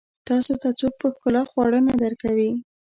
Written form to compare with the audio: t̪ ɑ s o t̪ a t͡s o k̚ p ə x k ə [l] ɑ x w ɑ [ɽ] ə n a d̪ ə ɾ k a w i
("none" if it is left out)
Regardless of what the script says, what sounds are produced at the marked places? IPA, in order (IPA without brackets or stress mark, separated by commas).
l, ɽ